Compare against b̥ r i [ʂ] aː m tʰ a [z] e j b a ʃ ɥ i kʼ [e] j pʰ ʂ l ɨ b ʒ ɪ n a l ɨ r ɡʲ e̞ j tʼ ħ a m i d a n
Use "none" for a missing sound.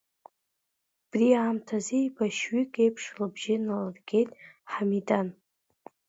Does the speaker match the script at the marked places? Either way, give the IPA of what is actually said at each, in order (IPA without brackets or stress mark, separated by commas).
none, z, e